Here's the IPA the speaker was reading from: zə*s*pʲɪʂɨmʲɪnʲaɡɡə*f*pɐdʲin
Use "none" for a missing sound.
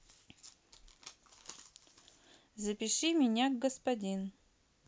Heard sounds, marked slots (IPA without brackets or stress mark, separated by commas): none, s